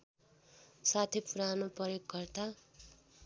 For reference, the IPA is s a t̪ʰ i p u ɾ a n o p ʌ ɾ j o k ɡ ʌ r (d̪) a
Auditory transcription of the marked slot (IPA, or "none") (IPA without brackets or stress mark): t̪